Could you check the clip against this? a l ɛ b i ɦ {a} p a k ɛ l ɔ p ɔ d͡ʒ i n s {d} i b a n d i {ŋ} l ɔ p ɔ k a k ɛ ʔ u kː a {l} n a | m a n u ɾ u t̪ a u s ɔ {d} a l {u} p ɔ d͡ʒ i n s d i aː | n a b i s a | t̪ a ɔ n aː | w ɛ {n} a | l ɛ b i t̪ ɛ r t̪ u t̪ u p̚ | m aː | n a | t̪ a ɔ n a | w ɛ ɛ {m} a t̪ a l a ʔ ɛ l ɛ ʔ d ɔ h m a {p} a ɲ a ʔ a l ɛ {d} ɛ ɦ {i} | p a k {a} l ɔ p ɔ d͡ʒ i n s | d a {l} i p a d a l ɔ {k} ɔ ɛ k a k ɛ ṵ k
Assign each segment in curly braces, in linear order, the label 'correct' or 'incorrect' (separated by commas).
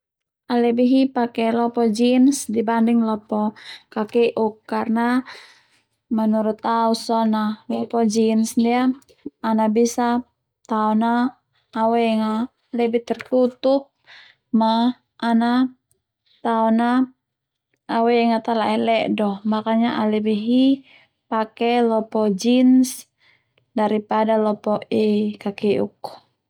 incorrect, correct, correct, incorrect, incorrect, incorrect, incorrect, incorrect, incorrect, incorrect, correct, incorrect, incorrect, incorrect